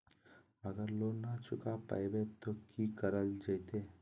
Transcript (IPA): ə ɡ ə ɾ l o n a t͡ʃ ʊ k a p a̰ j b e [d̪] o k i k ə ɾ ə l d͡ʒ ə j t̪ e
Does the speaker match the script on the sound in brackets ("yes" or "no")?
no